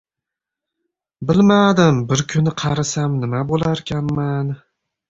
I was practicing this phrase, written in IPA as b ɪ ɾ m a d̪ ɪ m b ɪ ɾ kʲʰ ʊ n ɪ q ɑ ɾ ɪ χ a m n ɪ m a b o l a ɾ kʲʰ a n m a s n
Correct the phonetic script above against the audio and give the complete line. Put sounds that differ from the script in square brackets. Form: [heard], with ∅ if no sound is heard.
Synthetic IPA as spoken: b ɪ [l] m a d̪ ɪ m b ɪ ɾ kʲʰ ʊ n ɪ [qʰ] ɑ ɾ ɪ [s] a m n ɪ m a b o l a ɾ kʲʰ a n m a [∅] n